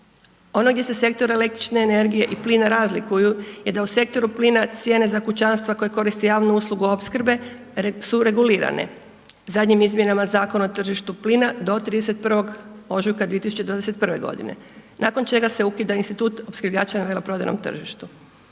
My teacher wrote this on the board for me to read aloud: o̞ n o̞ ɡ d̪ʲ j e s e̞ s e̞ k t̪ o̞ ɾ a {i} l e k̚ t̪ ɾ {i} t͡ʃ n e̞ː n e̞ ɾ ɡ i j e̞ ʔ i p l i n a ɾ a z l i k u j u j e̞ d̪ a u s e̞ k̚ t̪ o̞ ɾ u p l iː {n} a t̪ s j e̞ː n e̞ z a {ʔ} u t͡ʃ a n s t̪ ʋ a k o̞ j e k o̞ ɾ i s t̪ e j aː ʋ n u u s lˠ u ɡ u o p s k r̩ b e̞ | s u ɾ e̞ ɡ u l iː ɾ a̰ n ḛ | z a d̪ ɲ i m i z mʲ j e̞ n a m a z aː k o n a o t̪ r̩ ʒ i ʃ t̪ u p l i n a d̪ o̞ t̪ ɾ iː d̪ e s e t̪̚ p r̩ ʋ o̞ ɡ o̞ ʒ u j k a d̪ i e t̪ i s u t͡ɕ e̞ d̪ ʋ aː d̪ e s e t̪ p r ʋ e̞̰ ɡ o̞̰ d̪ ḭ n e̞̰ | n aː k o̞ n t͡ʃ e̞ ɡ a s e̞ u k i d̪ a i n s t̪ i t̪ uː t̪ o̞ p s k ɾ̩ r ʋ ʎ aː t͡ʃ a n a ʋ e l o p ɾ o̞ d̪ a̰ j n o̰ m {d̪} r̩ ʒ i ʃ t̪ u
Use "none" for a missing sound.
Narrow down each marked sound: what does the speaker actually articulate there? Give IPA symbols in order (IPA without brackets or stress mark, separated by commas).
e, i, n, k, t̪